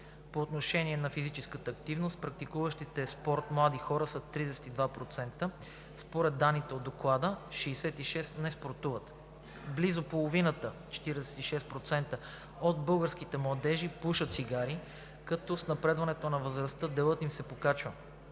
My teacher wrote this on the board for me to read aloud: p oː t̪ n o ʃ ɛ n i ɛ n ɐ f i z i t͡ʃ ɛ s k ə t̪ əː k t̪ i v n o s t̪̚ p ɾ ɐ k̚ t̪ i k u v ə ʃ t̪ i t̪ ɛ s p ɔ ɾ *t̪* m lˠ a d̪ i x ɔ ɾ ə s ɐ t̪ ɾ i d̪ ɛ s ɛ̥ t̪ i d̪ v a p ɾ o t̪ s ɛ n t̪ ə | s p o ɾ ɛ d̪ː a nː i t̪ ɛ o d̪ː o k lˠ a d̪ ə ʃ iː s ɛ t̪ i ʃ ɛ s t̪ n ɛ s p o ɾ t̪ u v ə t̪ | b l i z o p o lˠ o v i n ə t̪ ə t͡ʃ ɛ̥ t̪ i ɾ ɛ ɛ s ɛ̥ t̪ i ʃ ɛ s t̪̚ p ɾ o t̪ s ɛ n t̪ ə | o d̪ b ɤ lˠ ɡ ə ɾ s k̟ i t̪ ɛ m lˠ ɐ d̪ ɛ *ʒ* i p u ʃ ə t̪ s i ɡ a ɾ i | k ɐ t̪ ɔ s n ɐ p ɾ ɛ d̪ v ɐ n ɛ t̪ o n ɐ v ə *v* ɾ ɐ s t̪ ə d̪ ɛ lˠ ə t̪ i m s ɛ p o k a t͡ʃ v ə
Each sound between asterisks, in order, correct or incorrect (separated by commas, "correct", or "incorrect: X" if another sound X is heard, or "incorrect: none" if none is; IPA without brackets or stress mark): correct, correct, incorrect: z